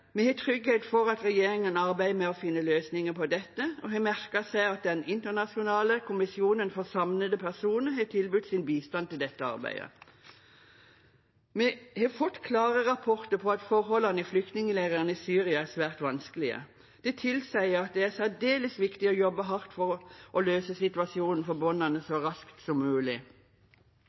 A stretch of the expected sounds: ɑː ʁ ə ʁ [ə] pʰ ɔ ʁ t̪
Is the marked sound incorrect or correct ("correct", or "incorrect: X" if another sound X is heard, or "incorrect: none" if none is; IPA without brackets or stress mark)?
incorrect: ɑ